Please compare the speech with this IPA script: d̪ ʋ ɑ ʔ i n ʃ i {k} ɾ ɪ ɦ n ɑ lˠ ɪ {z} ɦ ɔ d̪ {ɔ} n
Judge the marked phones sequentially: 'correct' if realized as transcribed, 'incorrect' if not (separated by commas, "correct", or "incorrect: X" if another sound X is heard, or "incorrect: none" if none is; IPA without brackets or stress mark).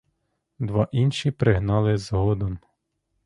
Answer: incorrect: p, correct, correct